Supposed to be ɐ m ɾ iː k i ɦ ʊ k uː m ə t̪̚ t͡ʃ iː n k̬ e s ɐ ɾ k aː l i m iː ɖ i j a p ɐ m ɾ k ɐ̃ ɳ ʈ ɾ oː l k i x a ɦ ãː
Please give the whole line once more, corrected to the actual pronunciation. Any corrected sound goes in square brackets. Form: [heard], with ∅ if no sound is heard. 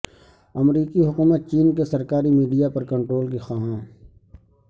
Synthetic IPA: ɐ m ɾ iː k i ɦ ʊ k uː m ə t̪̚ t͡ʃ iː n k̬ e s ɐ ɾ k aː [ɾ] i m iː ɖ i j a p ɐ [∅] ɾ k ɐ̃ ɳ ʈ ɾ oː l k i x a ɦ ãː